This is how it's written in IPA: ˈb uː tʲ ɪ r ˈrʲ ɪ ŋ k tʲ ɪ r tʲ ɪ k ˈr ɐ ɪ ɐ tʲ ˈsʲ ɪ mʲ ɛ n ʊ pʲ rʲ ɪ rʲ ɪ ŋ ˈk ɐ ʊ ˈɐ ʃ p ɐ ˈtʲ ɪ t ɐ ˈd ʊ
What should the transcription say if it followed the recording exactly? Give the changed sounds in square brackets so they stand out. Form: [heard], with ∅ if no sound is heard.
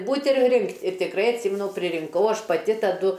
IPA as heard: ˈb uː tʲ ɪ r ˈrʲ ɪ ŋ k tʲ ɪ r tʲ ɪ k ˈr ɐ ɪ ɐ tʲ ˈsʲ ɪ mʲ ɛ n ʊ pʲ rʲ ɪ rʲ ɪ ŋ ˈk ɐ ʊ ˈɐ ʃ p ɐ ˈtʲ ɪ t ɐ ˈd ʊ